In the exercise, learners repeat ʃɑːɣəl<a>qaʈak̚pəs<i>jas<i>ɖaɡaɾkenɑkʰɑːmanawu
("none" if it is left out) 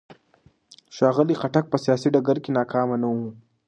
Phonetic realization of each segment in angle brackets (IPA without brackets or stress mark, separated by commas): i, i, i